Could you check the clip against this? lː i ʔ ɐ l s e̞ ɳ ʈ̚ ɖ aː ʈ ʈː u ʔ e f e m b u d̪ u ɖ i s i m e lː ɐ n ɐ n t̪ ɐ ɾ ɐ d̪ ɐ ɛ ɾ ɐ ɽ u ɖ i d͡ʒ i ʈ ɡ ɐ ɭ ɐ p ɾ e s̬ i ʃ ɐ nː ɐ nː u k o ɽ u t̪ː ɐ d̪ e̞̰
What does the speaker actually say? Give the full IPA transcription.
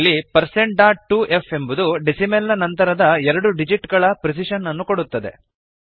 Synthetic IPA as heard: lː i p ɐ ɾ s e̞ ɳ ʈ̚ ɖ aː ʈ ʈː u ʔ e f e m b u d̪ u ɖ i s i m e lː ɐ n ɐ n t̪ ɐ ɾ ɐ d̪ ɐ ɛ ɾ ɐ ɽ u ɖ i d͡ʒ i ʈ ɡ ɐ ɭ ɐ p ɾ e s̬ i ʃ ɐ nː ɐ nː u k o ɽ u t̪ː ɐ d̪ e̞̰